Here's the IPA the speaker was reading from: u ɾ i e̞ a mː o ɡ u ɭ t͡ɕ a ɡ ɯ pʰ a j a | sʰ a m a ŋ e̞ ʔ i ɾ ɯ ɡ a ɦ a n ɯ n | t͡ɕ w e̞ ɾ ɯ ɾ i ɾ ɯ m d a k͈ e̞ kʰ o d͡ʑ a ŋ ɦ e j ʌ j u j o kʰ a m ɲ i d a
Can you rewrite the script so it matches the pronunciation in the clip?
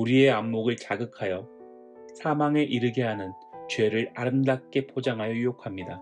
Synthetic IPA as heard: u ɾ i e̞ a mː o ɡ ɯ ɭ t͡ɕ a ɡ ɯ kʰ a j ʌ | sʰ a m a ŋ e̞ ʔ i ɾ ɯ ɡ e ɦ a n ɯ n | t͡ɕ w e̞ ɾ ɯ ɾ a ɾ ɯ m d a k͈ e̞ pʰ o d͡ʑ a ŋ ɦ a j ʌ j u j o kʰ a m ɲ i d a